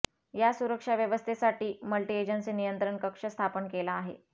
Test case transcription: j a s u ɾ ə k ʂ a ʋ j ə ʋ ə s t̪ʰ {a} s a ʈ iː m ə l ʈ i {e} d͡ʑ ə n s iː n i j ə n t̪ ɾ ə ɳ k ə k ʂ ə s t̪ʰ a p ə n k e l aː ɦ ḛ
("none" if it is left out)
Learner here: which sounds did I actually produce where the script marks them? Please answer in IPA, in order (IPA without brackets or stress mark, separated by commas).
e, e